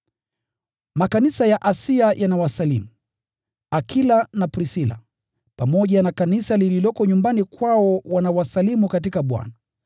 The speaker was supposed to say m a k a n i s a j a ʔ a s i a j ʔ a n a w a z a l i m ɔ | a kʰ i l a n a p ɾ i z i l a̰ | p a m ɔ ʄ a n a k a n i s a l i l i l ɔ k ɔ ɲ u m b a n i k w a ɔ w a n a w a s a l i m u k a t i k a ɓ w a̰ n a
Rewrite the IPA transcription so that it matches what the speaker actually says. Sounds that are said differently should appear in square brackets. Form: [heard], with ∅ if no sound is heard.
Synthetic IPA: m a k a n i s a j a ʔ a s i a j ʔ a n a w a [s] a l i m [u] | a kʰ i l a n a p ɾ i [s] i l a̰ | p a m ɔ ʄ a n a k a n i s a l i l i l ɔ k ɔ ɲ u m b a n i k w a ɔ w a n a w a s a l i m u k a t i k a ɓ w a̰ n a